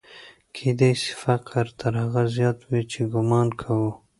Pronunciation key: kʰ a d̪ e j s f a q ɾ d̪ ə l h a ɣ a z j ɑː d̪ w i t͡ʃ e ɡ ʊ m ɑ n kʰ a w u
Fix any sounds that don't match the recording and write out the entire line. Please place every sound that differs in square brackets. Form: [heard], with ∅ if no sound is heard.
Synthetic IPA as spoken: kʰ [e] d̪ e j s f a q ɾ [t̪] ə [ɾ] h a ɣ a z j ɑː [t̪] w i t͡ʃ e ɡ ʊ m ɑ n kʰ a w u